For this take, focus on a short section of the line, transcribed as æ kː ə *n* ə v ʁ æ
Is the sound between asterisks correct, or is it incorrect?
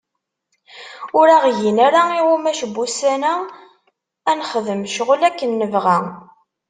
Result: incorrect